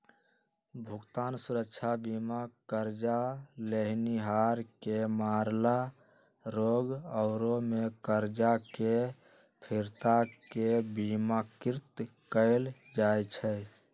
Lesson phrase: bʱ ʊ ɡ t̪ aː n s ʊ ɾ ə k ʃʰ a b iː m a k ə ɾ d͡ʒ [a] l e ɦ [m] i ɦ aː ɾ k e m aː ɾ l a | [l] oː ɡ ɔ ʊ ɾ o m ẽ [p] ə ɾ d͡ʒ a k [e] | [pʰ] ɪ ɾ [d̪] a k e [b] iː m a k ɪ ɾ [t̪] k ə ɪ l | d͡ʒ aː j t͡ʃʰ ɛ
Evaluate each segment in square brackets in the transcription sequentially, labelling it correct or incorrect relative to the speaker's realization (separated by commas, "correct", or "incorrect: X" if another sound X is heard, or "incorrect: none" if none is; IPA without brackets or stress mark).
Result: correct, incorrect: n, incorrect: ɾ, incorrect: k, correct, correct, incorrect: t̪, correct, correct